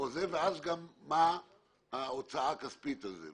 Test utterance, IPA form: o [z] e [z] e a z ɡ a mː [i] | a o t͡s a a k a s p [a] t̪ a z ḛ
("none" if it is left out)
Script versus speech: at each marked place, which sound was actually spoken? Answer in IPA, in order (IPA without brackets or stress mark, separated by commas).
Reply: z, v, a, i